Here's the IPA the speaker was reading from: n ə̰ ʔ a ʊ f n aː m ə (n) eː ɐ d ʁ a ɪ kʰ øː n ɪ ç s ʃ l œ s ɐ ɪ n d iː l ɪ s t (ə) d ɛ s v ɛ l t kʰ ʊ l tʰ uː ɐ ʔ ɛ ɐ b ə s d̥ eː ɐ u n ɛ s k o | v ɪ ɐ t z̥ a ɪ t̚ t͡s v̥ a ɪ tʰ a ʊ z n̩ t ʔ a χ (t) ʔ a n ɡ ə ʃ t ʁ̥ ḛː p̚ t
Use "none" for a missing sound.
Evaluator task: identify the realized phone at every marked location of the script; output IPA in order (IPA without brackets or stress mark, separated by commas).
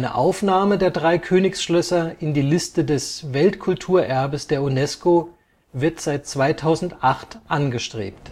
d, ə, t